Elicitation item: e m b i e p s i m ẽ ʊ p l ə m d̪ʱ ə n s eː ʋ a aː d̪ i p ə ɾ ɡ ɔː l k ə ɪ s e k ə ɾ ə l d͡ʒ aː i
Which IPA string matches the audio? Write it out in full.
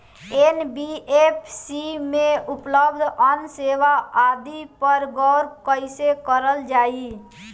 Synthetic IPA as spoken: e n b i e p s i m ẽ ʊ p l ə b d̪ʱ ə n s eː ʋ a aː d̪ i p ə ɾ ɡ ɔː ɾ k ə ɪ s e k ə ɾ ə l d͡ʒ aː i